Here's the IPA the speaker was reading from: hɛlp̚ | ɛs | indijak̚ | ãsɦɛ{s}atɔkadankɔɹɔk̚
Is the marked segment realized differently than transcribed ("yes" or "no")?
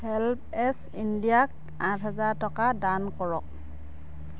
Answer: yes